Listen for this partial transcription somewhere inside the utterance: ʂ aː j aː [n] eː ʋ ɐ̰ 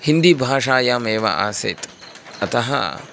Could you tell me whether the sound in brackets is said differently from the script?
yes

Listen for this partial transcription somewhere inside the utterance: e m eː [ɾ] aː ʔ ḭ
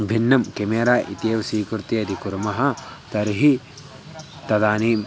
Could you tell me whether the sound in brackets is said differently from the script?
no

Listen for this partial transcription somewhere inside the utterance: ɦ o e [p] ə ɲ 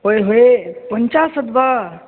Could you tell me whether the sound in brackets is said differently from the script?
no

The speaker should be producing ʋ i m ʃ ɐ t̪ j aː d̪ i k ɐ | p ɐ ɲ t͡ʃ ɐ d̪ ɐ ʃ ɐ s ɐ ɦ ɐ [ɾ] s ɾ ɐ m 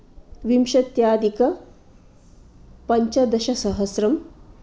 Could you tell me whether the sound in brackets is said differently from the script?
yes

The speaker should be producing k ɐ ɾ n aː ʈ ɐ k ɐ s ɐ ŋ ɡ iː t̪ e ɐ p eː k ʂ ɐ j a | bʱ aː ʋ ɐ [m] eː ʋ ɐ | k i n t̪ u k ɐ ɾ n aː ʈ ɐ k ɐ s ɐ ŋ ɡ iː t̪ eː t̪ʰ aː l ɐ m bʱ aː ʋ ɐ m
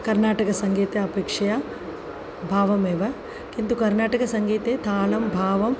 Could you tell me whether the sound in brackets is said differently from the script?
no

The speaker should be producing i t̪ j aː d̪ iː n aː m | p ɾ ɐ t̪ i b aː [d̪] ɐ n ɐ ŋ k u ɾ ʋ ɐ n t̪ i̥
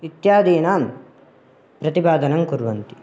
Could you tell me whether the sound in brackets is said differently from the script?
no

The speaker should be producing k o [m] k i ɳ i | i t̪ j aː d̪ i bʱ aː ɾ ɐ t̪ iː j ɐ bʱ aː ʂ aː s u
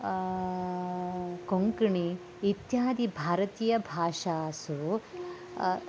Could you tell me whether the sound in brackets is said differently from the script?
yes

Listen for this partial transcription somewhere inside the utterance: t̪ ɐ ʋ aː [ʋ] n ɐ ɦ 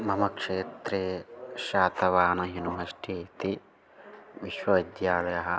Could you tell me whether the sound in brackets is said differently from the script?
yes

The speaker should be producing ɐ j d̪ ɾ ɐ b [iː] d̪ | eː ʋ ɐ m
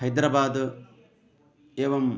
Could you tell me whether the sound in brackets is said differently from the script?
yes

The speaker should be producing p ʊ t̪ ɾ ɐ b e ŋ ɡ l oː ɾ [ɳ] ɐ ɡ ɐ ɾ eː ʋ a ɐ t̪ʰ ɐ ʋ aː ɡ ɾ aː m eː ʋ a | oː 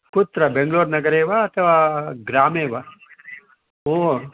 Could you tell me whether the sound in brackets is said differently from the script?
yes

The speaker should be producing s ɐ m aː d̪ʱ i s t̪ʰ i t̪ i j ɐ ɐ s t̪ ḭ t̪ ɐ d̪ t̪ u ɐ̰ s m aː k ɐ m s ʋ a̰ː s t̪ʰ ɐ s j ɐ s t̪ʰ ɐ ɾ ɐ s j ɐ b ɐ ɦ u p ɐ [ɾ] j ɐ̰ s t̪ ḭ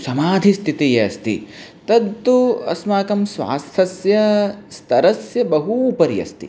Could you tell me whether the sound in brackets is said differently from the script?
no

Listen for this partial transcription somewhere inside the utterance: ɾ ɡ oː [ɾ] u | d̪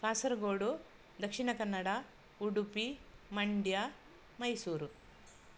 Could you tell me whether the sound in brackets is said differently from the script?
yes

